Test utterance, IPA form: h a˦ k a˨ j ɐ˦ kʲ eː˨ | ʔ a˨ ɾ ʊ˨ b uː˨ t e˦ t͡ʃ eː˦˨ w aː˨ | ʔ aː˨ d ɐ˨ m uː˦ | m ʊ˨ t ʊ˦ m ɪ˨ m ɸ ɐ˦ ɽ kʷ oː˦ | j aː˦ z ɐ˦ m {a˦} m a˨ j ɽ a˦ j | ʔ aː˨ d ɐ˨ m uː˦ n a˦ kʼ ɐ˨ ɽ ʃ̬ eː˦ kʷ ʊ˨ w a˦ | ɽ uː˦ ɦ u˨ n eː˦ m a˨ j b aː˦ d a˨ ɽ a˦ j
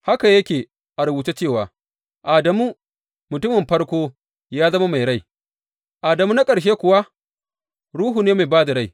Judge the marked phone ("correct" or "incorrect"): correct